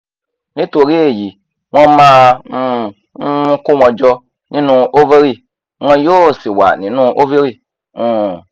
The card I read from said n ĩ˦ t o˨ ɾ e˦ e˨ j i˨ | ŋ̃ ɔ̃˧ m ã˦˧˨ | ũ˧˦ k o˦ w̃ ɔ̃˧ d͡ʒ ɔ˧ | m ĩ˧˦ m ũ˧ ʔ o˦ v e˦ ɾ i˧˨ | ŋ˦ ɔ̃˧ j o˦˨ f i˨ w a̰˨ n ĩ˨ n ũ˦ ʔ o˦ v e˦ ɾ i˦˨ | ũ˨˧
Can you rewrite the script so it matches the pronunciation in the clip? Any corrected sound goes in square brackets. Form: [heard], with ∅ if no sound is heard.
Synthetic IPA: n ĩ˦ t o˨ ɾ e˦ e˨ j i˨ | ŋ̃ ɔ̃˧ m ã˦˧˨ | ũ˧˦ k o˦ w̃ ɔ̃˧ d͡ʒ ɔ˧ | [n] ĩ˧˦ [n] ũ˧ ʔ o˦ v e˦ ɾ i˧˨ | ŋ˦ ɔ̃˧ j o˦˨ [s] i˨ w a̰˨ n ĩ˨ n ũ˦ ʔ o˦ v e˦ ɾ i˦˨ | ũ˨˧